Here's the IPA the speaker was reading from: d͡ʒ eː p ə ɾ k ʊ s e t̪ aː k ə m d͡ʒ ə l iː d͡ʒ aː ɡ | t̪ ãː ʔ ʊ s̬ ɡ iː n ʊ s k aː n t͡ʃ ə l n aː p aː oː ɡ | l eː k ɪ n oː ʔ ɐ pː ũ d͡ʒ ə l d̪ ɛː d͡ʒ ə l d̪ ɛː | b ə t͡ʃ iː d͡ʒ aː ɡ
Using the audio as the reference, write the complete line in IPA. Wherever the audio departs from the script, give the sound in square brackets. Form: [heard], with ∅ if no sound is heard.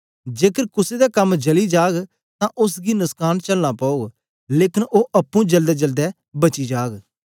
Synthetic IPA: d͡ʒ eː [k] ə ɾ k ʊ s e [d̪] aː k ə m d͡ʒ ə l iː d͡ʒ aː ɡ | t̪ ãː ʔ ʊ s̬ ɡ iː n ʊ s k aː n t͡ʃ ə l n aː p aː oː ɡ | l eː k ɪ n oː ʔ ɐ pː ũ d͡ʒ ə l d̪ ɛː d͡ʒ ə l d̪ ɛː | b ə t͡ʃ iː d͡ʒ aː ɡ

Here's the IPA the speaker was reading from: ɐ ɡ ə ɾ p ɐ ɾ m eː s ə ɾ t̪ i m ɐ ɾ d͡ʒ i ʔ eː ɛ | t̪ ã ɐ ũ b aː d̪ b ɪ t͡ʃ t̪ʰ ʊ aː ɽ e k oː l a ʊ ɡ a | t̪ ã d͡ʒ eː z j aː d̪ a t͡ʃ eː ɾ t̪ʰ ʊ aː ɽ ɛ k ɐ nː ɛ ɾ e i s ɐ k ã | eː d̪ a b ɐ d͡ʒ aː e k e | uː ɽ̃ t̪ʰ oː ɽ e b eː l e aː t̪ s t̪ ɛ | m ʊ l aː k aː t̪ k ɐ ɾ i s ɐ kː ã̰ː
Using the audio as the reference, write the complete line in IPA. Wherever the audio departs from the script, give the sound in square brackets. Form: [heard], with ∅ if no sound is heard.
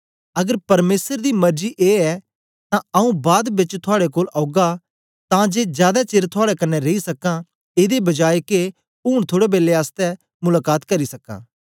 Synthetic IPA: ɐ ɡ ə ɾ p ɐ ɾ m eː s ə ɾ [d̪] i m ɐ ɾ d͡ʒ i ʔ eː ɛ | t̪ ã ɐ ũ b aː d̪ b ɪ t͡ʃ t̪ʰ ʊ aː ɽ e k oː l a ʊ ɡ a | t̪ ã d͡ʒ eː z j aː d̪ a t͡ʃ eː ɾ t̪ʰ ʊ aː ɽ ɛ k ɐ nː ɛ ɾ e i s ɐ k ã | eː d̪ [e] b ɐ d͡ʒ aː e k e | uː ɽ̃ t̪ʰ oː ɽ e b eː l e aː [∅] s t̪ ɛ | m ʊ l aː k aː t̪ k ɐ ɾ i s ɐ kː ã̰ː

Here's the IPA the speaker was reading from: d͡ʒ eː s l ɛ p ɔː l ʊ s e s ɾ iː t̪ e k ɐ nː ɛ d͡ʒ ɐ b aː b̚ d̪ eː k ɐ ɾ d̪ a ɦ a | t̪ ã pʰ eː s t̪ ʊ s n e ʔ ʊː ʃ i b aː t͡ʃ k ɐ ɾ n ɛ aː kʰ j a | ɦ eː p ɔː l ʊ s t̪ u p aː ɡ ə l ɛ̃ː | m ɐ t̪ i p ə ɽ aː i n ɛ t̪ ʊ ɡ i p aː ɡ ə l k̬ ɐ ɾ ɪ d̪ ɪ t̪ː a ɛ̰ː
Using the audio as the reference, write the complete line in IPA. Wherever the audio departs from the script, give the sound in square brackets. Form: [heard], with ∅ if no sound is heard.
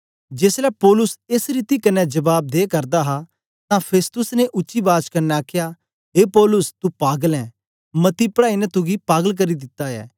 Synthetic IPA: d͡ʒ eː s l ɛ p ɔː l ʊ s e s ɾ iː t̪ [i] k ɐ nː ɛ d͡ʒ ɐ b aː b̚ d̪ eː k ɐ ɾ d̪ a ɦ a | t̪ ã pʰ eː s t̪ ʊ s n e ʔ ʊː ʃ i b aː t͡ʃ k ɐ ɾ n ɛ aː kʰ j a | ɦ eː p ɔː l ʊ s t̪ u p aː ɡ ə l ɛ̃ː | m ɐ t̪ i p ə ɽ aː i n ɛ t̪ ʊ ɡ i p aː ɡ ə l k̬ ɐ ɾ [i] d̪ ɪ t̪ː a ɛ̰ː

